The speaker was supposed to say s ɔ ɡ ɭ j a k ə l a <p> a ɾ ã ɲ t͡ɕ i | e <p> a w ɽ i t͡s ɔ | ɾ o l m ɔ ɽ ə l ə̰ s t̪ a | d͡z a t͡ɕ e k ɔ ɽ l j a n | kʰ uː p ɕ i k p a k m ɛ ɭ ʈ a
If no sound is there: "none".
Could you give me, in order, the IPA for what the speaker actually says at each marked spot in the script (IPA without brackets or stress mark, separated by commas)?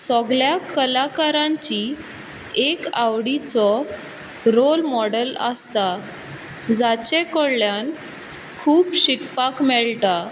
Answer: k, k